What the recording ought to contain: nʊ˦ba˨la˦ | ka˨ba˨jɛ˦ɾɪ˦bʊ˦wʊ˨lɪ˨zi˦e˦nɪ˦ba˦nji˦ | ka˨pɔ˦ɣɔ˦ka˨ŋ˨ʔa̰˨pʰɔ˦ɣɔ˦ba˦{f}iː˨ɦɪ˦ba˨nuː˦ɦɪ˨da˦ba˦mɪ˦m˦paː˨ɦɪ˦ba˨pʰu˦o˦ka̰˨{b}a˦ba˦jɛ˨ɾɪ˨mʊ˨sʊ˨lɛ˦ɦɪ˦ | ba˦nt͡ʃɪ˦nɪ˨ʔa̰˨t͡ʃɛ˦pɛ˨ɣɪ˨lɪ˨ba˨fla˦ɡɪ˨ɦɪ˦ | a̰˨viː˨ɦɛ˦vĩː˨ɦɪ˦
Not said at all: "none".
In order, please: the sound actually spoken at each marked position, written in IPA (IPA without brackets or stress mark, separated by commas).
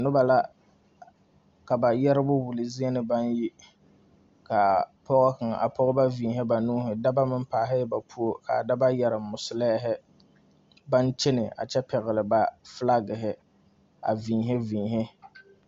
v, d